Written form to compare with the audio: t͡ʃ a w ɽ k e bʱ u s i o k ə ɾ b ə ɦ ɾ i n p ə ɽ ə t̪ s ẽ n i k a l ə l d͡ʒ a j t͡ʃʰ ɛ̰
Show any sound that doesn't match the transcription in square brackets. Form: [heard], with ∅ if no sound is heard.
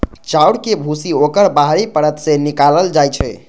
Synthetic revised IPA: t͡ʃ a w ɽ k e bʱ u s i o k ə ɾ b [a] ɦ ɾ i [∅] p ə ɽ ə t̪ s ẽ n i k a l ə l d͡ʒ a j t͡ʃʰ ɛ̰